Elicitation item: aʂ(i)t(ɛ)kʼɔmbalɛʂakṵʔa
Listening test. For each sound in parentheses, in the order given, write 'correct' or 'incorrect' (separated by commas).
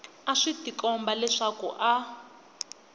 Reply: correct, incorrect